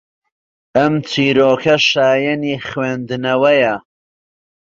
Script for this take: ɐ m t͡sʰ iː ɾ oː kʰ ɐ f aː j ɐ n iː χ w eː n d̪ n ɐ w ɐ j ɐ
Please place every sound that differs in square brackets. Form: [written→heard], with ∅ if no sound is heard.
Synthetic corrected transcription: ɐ m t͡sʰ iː ɾ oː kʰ ɐ [f→ʃ] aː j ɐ n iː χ w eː n d̪ n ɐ w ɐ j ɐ